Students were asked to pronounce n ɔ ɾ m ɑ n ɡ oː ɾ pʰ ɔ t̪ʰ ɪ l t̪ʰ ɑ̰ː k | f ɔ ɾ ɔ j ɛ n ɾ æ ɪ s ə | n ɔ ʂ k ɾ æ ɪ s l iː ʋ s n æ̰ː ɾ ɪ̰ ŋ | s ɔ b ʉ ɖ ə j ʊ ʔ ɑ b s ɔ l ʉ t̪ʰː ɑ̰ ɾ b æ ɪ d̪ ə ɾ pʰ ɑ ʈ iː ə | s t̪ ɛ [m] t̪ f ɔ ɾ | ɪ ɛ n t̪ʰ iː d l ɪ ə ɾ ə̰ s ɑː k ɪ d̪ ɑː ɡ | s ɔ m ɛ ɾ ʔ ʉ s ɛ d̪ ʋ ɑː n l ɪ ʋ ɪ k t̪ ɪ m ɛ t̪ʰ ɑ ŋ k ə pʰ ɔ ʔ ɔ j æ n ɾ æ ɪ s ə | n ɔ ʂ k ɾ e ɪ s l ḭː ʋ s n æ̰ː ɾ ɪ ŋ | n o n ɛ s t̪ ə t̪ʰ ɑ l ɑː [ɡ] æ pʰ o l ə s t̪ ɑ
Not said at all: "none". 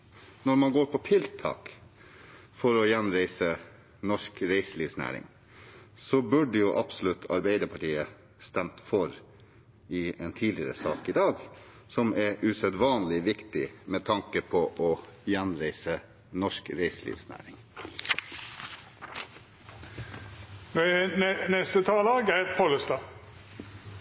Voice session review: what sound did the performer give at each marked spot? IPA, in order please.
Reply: m, ɡ

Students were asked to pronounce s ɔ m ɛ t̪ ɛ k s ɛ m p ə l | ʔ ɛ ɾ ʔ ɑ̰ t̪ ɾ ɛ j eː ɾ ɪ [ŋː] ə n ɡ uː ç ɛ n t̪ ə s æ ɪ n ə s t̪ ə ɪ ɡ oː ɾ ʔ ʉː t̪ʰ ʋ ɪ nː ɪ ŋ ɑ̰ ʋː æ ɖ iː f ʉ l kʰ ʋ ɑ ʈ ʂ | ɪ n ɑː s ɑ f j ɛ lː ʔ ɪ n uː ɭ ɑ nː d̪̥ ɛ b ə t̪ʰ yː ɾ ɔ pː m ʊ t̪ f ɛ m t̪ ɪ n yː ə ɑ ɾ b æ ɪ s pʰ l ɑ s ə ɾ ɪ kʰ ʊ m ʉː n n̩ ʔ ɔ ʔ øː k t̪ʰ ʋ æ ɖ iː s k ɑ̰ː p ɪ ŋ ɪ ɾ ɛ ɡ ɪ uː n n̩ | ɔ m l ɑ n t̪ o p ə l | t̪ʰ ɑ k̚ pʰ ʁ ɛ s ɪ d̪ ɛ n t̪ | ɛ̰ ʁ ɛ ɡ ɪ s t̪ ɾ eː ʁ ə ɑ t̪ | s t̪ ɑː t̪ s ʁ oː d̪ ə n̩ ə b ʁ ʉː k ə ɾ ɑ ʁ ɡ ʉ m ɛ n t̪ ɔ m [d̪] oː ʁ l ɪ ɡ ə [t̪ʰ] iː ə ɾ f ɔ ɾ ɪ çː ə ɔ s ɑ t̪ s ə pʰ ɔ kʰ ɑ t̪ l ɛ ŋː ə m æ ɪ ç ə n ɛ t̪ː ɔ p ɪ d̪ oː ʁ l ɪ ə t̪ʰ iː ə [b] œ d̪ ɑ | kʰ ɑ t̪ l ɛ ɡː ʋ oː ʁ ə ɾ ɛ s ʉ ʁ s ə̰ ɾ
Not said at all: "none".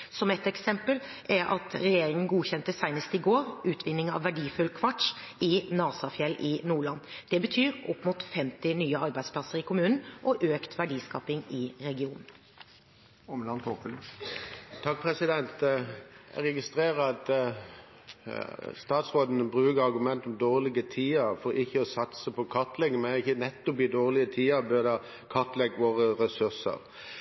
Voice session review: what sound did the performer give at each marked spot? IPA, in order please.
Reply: ŋ, d̪, t̪ʰ, b

